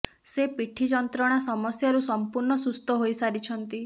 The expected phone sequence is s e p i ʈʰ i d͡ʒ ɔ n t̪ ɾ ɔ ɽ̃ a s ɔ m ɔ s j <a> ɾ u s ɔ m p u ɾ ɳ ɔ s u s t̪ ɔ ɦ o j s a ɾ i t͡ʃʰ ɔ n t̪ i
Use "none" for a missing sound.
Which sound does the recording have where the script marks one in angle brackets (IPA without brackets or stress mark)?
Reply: a